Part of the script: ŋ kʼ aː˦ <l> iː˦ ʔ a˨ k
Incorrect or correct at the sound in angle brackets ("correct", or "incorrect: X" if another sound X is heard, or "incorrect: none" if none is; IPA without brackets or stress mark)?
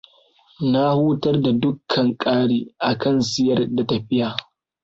incorrect: ɽ